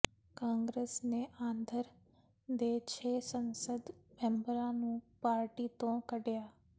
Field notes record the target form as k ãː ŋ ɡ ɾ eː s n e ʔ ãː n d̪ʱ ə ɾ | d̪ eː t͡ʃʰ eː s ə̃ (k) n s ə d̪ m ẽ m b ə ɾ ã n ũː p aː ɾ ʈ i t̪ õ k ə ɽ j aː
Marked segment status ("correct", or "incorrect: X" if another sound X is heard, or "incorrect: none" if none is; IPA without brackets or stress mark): incorrect: none